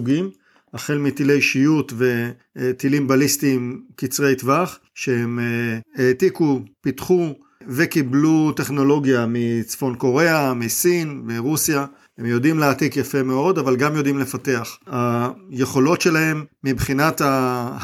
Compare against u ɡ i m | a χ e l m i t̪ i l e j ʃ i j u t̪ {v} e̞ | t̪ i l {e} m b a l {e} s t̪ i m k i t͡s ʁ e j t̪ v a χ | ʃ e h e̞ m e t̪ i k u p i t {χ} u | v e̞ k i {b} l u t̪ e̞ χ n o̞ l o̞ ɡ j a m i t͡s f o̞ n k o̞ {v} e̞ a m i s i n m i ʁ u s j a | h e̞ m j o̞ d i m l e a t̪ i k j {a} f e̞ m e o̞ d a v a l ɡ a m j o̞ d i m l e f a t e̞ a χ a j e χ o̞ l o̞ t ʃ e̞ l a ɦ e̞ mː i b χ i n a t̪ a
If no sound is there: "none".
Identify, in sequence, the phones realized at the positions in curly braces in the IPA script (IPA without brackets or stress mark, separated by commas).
v, i, i, χ, b, ʁ, a